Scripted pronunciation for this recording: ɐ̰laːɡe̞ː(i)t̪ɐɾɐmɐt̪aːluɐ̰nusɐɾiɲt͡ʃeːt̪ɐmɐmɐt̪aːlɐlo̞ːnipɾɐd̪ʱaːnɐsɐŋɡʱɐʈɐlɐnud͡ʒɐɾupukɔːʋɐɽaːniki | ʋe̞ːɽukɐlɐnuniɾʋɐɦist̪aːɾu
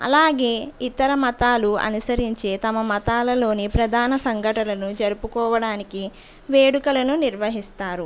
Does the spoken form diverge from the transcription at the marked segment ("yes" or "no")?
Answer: no